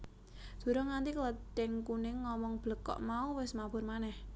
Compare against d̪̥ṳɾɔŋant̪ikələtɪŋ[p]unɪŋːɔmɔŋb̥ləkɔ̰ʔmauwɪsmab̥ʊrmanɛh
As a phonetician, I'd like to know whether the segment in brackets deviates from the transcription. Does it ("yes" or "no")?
yes